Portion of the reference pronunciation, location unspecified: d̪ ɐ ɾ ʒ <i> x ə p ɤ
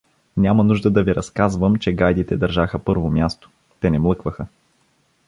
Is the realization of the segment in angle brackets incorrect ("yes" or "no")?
yes